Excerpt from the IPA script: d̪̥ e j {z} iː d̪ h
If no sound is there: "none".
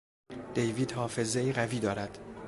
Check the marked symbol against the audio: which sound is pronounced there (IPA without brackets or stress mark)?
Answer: v